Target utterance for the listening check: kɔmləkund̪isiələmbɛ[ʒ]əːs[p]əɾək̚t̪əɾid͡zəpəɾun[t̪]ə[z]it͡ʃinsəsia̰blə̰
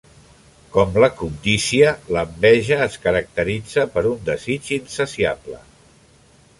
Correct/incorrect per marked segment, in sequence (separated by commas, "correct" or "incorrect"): correct, incorrect, incorrect, correct